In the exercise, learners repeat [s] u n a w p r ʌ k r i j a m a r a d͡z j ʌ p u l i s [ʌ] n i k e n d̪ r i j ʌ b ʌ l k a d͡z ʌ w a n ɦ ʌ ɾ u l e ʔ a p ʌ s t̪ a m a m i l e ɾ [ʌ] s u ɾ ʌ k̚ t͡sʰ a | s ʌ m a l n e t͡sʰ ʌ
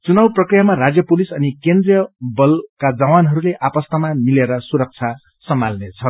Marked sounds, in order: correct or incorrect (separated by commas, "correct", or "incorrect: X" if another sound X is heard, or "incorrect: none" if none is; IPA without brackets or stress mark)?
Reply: incorrect: t͡s, correct, correct